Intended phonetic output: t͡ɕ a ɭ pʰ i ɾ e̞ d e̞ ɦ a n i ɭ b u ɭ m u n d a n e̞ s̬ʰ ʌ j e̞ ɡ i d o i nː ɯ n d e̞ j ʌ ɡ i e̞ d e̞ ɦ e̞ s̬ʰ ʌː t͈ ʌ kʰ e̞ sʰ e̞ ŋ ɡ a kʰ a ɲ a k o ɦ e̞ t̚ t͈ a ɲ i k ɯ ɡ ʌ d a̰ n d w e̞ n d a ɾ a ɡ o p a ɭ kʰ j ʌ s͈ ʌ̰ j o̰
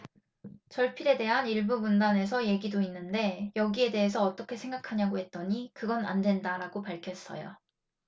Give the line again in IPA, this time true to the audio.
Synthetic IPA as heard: t͡ɕ ʌ ɭ pʰ i ɾ e̞ d e̞ ɦ a n i ɭ b u m u n d a n e̞ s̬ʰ ʌ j e̞ ɡ i d o i nː ɯ n d e̞ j ʌ ɡ i e̞ d e̞ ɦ e̞ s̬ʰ ʌː t͈ ʌ kʰ e̞ sʰ e̞ ŋ ɡ a kʰ a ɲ a ɡ o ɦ e̞ t̚ t͈ ʌ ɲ i k ɯ ɡ ʌ n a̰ n d w e̞ n d a ɾ a ɡ o p a ɭ kʰ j ʌ s͈ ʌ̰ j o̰